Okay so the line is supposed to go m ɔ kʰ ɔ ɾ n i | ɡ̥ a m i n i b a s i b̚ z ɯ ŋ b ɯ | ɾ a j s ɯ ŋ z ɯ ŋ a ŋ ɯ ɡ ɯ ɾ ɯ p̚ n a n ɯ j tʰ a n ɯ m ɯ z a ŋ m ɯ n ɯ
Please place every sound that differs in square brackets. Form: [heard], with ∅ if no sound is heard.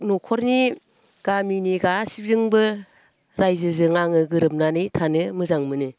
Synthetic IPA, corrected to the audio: [n] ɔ kʰ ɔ ɾ n i | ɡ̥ a m i n i [ɡ] a s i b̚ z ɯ ŋ b ɯ | ɾ a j [z] ɯ [∅] z ɯ ŋ a ŋ ɯ ɡ ɯ ɾ ɯ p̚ n a n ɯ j tʰ a n ɯ m ɯ z a ŋ m ɯ n ɯ